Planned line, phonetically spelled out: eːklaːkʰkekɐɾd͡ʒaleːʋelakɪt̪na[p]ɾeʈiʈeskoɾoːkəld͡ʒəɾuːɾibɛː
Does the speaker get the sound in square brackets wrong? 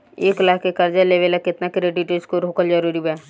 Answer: yes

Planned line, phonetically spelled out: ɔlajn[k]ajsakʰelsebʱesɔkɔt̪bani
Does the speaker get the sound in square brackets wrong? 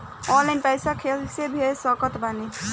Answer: yes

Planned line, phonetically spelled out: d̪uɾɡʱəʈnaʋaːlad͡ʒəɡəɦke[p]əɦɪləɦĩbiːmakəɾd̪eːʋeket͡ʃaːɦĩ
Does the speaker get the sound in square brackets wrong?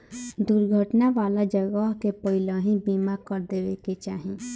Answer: no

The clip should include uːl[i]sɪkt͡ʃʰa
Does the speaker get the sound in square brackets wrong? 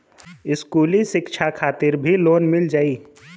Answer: no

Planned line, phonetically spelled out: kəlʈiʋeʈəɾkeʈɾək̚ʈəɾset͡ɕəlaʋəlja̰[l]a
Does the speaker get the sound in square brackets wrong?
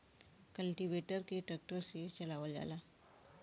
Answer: no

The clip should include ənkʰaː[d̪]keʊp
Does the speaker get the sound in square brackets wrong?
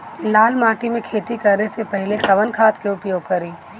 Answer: yes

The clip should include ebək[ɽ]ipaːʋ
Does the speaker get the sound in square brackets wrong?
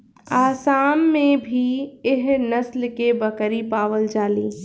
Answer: yes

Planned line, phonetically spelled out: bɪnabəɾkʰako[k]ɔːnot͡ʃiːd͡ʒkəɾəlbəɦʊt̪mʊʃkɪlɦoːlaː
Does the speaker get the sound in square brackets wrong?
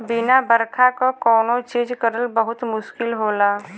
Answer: no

